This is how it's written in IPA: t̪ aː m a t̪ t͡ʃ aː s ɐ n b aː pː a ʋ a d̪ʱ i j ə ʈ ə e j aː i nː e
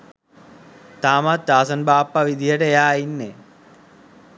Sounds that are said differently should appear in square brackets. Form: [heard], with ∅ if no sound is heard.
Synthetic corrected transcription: t̪ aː m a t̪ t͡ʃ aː s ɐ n b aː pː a ʋ [i] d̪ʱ i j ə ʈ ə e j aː i nː e